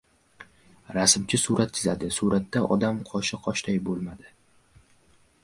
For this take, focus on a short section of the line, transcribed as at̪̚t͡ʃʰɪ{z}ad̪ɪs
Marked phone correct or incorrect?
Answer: correct